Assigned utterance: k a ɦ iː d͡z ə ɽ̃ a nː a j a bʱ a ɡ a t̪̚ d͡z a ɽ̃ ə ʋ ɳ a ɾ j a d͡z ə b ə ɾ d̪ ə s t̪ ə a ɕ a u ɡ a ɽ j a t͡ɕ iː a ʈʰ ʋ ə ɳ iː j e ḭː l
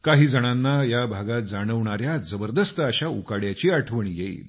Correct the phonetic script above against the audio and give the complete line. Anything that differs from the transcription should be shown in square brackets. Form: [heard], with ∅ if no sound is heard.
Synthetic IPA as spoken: k a ɦ iː d͡z ə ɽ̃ a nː a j a bʱ a ɡ a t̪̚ d͡z a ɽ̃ ə ʋ ɳ a ɾ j a d͡z ə b ə ɾ d̪ ə s t̪ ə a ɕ a u [k] a ɽ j a t͡ɕ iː a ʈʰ ʋ ə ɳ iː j e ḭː l

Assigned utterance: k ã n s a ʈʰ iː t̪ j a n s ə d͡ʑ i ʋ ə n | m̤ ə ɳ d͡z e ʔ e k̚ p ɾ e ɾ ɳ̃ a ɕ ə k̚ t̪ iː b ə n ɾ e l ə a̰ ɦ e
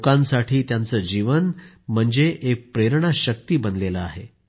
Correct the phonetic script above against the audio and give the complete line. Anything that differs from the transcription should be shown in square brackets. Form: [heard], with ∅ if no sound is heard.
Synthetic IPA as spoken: k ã n s a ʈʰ iː t̪ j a n [t͡s] ə d͡ʑ i ʋ ə n | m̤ ə ɳ d͡z e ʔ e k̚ p ɾ e ɾ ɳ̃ a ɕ ə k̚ t̪ iː b ə n [l] e l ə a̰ ɦ e

